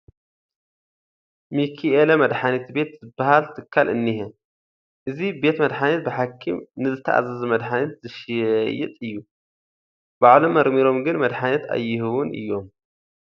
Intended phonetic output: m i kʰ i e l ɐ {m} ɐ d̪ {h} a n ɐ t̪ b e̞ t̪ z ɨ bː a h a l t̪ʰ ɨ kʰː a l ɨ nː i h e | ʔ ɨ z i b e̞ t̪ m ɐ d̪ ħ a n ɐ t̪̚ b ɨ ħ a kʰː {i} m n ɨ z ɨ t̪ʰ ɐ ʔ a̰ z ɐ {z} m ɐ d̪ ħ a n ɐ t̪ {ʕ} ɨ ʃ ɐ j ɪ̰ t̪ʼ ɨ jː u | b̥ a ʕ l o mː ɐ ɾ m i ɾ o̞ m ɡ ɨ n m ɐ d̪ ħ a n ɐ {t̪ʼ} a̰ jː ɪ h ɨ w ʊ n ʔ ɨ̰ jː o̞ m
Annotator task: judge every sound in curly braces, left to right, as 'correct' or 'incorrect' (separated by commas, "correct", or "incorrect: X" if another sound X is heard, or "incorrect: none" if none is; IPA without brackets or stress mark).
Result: correct, incorrect: ħ, correct, correct, incorrect: z, incorrect: t̪